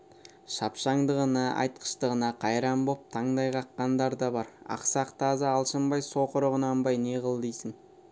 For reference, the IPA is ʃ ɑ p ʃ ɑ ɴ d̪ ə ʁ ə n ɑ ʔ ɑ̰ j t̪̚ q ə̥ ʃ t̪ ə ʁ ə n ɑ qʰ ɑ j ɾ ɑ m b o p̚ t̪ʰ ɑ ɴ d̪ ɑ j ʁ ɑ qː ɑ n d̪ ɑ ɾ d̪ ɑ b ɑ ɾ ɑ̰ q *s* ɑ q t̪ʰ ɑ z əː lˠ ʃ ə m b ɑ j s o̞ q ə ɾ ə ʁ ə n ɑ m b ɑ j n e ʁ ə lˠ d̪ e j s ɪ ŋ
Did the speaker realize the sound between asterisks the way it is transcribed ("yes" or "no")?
yes